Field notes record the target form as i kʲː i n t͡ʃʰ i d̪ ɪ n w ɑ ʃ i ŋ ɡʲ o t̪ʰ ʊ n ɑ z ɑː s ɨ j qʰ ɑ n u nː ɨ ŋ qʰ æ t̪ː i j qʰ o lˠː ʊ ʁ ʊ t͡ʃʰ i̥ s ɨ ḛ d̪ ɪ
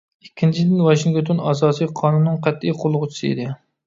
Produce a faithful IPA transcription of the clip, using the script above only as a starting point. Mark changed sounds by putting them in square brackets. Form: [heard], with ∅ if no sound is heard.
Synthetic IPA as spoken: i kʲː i n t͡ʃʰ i d̪ ɪ n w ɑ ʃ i ŋ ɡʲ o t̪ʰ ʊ n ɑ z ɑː s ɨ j qʰ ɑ n u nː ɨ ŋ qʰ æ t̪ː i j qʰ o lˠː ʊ ʁ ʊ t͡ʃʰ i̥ s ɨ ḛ d̪ ɪ